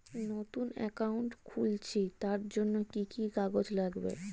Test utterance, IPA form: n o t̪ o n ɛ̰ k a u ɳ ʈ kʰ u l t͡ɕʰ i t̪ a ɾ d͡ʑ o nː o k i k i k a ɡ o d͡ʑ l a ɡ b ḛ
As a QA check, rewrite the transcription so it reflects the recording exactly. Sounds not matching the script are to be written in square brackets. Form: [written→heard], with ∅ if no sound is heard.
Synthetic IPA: n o t̪ [o→u] n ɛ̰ k a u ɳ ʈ kʰ u l t͡ɕʰ i t̪ a ɾ d͡ʑ o nː o k i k i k a ɡ o d͡ʑ l a ɡ b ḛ